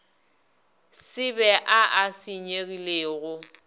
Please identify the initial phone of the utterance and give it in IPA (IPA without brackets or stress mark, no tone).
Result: s